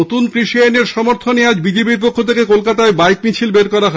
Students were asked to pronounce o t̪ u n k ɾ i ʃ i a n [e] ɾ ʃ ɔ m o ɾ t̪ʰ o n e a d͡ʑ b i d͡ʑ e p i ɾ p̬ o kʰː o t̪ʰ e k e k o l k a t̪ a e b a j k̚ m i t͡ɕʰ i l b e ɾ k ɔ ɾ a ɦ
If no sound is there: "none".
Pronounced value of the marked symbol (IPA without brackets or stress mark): e